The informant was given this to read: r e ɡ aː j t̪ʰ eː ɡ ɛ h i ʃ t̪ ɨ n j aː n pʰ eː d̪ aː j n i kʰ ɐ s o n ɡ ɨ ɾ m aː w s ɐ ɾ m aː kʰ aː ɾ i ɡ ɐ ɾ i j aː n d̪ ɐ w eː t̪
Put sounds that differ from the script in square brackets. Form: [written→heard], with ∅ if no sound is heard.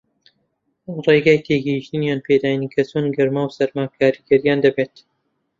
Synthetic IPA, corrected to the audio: r e ɡ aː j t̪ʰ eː ɡ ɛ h i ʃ t̪ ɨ n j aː n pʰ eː d̪ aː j n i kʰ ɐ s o n ɡ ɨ ɾ m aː w s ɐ ɾ m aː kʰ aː ɾ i ɡ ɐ ɾ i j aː n d̪ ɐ [w→b] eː t̪